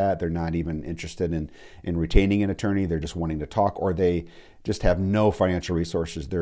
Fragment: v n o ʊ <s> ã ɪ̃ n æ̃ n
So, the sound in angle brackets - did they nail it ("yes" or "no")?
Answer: no